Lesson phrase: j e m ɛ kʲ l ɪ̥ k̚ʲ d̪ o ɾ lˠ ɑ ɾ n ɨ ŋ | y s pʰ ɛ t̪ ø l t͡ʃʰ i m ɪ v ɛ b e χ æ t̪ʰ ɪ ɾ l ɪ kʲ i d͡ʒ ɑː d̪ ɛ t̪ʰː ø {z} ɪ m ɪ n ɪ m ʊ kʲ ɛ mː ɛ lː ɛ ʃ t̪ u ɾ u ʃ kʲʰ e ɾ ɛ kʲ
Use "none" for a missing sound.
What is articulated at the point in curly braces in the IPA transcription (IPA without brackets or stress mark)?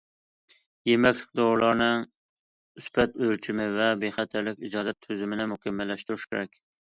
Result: z